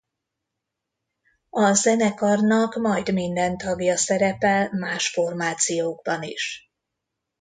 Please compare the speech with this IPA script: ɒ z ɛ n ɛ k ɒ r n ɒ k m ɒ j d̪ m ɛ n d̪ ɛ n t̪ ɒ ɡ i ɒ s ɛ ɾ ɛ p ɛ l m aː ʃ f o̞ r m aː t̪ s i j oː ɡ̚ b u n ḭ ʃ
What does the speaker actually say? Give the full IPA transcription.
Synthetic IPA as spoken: ɒ z ɛ n ɛ k ɒ r n ɒ k m ɒ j d̪ m i n d̪ ɛ n t̪ ɒ ɡ j ɒ s ɛ ɾ ɛ p ɛ l m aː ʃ f o̞ r m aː t̪ s i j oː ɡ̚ b ɒ n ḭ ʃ